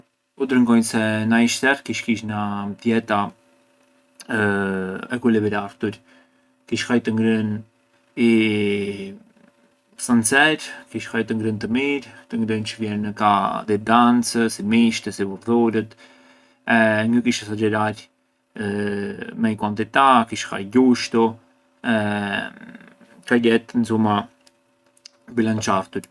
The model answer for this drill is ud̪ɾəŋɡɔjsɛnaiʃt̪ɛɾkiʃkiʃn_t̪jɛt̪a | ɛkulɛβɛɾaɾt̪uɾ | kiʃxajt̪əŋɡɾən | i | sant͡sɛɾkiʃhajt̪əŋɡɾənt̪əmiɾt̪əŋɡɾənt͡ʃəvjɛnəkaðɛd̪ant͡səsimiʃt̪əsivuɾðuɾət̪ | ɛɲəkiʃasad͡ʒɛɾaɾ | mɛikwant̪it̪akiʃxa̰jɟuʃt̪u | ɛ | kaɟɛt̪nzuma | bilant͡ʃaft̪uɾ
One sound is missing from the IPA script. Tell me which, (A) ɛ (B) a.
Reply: B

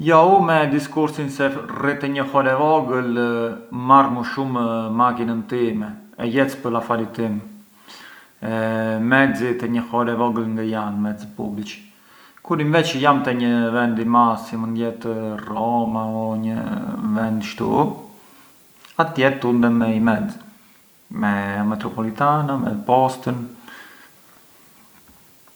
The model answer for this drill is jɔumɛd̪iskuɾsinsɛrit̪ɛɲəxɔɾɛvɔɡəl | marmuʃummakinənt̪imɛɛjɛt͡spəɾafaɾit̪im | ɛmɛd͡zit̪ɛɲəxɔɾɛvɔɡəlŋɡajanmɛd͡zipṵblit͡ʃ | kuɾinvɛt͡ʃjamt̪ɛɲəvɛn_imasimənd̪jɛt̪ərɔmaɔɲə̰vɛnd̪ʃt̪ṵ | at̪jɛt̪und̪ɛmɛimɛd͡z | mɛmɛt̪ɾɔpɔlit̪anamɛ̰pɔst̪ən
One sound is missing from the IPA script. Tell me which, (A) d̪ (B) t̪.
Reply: A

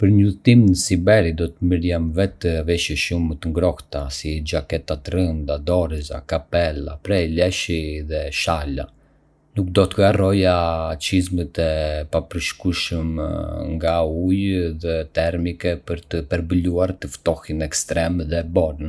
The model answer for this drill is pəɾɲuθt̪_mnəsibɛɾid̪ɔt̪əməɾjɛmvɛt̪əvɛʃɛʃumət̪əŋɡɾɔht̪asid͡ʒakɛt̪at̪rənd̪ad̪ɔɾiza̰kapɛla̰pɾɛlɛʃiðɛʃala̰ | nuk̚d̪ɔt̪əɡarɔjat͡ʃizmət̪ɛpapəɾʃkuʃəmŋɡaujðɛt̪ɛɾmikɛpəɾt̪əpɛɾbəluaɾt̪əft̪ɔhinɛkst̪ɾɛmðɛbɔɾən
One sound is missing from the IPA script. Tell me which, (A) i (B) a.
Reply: A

